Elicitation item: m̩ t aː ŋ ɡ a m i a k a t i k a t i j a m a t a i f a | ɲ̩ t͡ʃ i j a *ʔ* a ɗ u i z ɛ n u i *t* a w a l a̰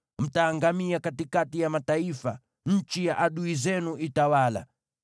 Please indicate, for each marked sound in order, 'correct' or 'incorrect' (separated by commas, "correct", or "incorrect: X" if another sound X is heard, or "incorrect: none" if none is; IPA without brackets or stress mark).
correct, correct